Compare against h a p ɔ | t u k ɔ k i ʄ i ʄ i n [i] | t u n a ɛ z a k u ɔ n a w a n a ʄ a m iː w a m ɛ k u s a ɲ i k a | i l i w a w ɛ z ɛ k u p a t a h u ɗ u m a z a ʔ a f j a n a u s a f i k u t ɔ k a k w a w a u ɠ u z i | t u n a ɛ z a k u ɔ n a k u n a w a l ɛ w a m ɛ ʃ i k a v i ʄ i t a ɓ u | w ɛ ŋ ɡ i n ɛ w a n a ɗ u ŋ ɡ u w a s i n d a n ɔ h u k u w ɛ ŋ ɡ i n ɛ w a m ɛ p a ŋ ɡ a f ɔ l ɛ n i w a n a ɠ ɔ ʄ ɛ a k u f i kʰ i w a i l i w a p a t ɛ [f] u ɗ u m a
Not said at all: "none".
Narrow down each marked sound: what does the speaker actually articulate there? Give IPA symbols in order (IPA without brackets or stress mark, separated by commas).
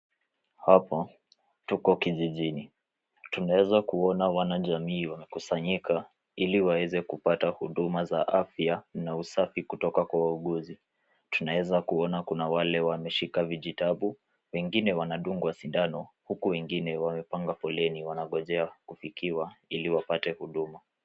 i, h